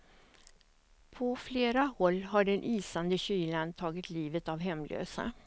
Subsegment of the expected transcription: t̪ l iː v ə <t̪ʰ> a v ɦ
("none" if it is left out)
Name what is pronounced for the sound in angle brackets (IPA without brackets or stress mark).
t̪